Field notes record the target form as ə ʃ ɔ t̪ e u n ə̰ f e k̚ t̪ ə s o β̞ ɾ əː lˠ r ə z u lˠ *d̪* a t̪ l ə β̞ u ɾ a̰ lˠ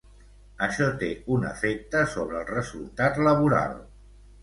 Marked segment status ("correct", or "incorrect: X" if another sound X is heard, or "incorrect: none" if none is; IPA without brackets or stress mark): incorrect: t̪